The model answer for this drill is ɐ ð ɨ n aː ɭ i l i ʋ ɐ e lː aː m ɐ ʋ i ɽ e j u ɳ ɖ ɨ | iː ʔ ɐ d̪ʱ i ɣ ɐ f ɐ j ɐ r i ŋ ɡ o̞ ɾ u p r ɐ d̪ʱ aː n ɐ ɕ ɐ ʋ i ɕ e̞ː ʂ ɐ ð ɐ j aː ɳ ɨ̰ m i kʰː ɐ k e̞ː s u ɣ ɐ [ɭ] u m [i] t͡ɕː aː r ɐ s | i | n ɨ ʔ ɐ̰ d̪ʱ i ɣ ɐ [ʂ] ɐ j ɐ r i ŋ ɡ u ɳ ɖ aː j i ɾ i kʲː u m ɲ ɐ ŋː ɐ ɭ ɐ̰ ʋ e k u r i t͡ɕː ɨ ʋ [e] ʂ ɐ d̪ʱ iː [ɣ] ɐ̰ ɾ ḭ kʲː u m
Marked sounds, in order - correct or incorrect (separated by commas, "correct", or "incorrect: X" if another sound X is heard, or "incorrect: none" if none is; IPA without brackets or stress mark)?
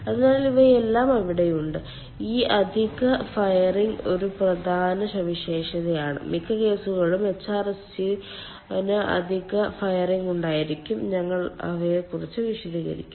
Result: correct, incorrect: e, incorrect: f, incorrect: i, correct